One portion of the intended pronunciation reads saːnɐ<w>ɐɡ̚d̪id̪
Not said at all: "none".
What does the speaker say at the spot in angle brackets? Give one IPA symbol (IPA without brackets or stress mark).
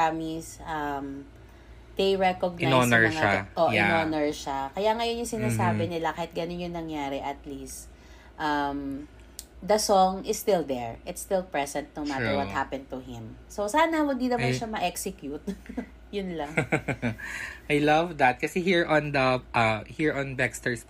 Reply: w